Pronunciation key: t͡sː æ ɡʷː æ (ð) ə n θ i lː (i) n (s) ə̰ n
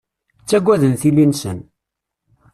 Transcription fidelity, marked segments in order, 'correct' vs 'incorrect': correct, correct, correct

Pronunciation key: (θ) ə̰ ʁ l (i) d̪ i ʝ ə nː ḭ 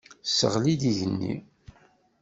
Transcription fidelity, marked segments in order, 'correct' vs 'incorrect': incorrect: s, correct

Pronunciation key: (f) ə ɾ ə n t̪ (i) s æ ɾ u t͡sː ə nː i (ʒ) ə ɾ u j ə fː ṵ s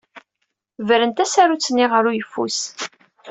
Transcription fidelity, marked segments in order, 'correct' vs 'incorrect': incorrect: v, incorrect: æ, incorrect: ʁ

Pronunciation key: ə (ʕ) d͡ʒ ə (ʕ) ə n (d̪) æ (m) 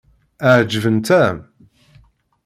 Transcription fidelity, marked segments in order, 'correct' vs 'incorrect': correct, incorrect: v, incorrect: t̪, correct

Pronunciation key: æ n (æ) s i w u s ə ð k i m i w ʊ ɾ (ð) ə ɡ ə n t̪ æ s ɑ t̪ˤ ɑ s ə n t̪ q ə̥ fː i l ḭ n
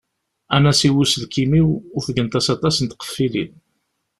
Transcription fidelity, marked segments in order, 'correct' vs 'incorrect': correct, incorrect: θ

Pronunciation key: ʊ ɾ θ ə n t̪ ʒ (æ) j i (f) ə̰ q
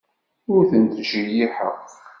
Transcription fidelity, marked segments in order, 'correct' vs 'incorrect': incorrect: i, incorrect: ħ

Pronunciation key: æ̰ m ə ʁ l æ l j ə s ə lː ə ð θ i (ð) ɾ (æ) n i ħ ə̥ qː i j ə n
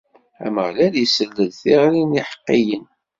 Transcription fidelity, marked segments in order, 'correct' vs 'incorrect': incorrect: ʁ, incorrect: i

